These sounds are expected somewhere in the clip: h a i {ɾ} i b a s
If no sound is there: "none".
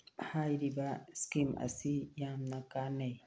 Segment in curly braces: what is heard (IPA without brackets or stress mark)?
ɾ